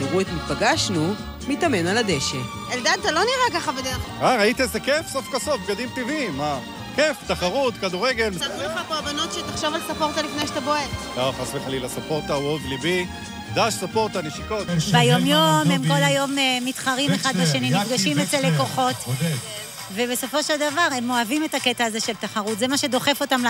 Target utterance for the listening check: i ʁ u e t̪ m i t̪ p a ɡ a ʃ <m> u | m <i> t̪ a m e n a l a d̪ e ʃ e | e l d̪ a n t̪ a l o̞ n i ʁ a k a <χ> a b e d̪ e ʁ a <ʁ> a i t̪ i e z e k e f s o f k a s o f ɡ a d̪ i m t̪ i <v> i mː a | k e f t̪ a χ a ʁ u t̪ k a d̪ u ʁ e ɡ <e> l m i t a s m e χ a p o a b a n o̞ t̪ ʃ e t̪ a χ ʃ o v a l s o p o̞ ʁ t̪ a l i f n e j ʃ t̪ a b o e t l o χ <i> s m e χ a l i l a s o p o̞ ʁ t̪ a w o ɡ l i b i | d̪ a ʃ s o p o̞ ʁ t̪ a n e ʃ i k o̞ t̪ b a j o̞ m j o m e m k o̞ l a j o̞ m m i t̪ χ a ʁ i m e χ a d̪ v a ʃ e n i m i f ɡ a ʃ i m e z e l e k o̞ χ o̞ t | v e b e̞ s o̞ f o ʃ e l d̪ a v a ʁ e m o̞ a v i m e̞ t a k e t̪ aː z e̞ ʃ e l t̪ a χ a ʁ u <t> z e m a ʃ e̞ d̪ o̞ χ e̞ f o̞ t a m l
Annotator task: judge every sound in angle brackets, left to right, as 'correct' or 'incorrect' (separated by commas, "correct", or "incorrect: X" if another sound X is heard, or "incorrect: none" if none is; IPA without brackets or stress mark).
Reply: incorrect: n, correct, correct, correct, correct, correct, incorrect: a, correct